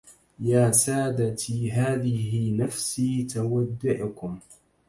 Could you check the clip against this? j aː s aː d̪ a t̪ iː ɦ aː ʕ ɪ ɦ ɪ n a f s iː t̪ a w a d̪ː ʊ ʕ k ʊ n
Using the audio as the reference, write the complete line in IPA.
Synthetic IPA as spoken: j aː s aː d̪ a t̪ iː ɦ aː ð ɪ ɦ ɪ n a f s iː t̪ a w a d̪ː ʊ ʕ k ʊ m

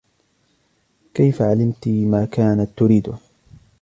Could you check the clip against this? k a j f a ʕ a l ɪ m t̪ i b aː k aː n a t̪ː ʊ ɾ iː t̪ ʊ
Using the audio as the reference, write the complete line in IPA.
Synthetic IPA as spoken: k a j f a ʕ a l ɪ m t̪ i m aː k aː n a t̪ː ʊ ɾ iː d̪ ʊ

